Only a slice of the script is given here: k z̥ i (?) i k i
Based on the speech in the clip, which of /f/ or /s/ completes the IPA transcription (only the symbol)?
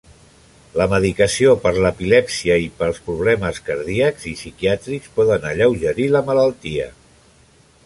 s